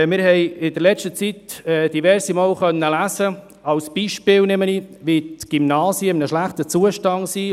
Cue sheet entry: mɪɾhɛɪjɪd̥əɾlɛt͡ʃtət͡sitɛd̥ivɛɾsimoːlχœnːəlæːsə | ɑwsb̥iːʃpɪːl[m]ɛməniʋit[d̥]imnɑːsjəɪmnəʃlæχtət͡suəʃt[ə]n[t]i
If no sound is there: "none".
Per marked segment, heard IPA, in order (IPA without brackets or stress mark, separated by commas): n, ɡ̥, ɑ, s